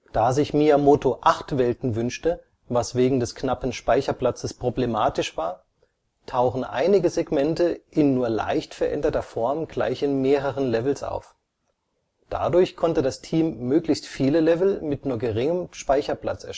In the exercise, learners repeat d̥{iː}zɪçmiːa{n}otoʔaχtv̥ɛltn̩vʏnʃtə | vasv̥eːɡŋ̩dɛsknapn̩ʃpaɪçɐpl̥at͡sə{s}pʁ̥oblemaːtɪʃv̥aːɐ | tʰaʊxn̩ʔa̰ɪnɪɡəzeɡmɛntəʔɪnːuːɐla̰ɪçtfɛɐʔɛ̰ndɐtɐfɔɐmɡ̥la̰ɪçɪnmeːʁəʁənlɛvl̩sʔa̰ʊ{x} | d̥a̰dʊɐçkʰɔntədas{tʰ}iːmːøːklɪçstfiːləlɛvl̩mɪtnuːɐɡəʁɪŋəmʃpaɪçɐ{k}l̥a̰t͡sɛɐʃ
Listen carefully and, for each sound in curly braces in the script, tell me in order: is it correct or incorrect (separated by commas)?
incorrect, incorrect, correct, incorrect, correct, incorrect